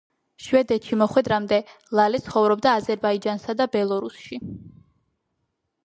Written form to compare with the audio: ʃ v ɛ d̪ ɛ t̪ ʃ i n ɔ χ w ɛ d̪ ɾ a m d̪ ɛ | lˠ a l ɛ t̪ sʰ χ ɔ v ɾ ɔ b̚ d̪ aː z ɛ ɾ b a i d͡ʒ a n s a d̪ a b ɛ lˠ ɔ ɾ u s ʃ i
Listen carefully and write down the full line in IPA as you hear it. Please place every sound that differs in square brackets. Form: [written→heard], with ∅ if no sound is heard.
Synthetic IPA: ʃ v ɛ d̪ ɛ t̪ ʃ i [n→m] ɔ χ w ɛ d̪ ɾ a m d̪ ɛ | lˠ a l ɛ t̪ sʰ χ ɔ v ɾ ɔ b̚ d̪ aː z ɛ ɾ b a i d͡ʒ a n s a d̪ a b ɛ lˠ ɔ ɾ u s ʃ i